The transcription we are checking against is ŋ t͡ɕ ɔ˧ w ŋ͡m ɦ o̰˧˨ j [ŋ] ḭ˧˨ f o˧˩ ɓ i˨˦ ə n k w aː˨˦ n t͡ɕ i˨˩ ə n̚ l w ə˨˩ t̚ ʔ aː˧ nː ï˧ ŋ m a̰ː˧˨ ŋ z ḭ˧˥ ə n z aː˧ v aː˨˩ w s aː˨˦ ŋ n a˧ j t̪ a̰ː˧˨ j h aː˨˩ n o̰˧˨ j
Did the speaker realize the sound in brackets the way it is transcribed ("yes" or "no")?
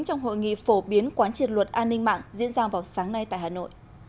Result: yes